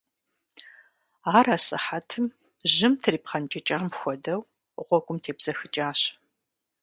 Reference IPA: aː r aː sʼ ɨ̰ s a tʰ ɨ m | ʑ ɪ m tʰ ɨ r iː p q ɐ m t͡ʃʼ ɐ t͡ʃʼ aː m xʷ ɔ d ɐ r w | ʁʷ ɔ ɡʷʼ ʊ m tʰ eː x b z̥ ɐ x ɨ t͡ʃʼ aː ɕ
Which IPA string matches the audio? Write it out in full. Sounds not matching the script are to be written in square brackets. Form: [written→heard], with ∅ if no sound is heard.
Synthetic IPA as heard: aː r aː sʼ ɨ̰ [s→ħ] a tʰ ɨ m | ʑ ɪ m tʰ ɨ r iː p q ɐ [m→n] t͡ʃʼ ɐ t͡ʃʼ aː m xʷ ɔ d ɐ [r→∅] w | ʁʷ ɔ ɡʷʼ ʊ m tʰ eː [x→∅] b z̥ ɐ x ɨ t͡ʃʼ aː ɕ